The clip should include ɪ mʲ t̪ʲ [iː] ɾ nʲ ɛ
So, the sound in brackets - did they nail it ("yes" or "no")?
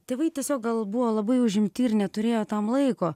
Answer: yes